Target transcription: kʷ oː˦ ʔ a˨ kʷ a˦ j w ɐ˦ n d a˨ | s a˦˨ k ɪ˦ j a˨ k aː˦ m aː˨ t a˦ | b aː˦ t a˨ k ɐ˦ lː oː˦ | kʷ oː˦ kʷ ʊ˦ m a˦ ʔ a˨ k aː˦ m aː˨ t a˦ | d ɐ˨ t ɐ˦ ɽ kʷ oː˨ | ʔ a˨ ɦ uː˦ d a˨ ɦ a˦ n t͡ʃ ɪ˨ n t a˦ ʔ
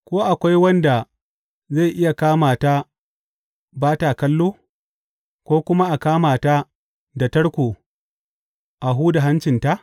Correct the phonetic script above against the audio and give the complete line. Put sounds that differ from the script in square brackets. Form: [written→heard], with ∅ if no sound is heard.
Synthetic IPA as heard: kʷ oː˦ ʔ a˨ kʷ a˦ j w ɐ˦ n d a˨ | [s→z] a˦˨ [k→ʔ] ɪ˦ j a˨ k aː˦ m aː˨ t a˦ | b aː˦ t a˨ k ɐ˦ lː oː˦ | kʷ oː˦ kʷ ʊ˦ m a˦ ʔ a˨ k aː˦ m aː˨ t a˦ | d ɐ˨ t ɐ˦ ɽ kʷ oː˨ | ʔ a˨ ɦ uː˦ d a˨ ɦ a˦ n t͡ʃ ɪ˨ n t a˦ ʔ